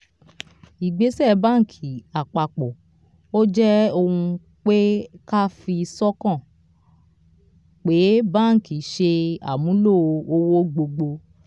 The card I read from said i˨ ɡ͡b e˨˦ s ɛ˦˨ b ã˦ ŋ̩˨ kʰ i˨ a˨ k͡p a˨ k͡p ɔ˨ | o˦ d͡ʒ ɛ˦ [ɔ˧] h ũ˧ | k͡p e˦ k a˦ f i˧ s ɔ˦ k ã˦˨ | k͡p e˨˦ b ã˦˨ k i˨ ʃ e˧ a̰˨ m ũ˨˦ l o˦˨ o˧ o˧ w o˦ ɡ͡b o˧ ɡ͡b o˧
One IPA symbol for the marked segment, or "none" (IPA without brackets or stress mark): o˧